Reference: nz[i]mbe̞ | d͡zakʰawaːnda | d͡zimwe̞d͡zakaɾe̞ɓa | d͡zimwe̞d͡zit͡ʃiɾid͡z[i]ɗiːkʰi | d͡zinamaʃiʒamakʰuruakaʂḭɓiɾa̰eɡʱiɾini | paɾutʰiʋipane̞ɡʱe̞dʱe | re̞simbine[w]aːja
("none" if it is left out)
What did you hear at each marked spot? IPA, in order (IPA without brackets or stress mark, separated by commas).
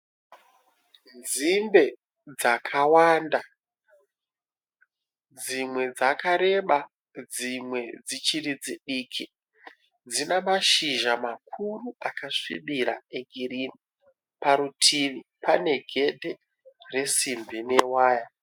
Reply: i, i, w